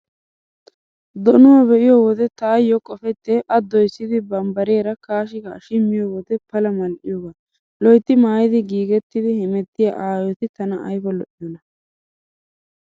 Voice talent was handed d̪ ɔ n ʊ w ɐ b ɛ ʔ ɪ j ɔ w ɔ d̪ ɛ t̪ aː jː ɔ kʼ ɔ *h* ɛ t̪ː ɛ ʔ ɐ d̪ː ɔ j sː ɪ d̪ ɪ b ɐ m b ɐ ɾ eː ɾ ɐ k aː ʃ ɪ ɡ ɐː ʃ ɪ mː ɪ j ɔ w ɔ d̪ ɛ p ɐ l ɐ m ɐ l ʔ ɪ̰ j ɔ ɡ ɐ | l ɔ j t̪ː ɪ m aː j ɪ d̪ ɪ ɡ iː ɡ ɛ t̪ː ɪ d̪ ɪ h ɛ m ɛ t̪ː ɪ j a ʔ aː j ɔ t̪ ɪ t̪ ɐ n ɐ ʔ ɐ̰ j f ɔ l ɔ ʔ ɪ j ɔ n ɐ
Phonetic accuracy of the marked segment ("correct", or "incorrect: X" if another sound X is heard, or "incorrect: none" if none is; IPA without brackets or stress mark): incorrect: f